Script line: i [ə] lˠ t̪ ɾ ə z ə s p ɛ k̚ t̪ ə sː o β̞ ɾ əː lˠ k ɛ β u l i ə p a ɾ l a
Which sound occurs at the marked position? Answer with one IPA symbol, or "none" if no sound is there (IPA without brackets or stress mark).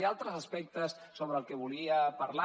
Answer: a